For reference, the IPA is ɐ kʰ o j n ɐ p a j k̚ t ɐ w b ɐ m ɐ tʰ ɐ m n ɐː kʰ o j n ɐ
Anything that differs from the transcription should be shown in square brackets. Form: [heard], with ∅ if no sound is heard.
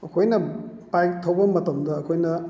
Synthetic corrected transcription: ɐ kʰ o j n ɐ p a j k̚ [tʰ] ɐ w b ɐ m ɐ [t] ɐ m [d] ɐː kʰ o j n ɐ